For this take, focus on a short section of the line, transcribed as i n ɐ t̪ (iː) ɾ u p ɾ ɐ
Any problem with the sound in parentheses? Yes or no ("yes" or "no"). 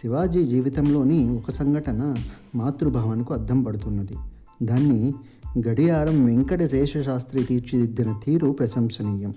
no